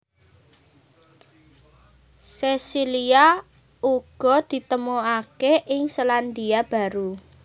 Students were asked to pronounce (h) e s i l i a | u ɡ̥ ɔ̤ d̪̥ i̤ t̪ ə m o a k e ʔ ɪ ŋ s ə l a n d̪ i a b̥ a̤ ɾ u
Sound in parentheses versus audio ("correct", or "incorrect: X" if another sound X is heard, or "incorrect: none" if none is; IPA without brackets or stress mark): incorrect: s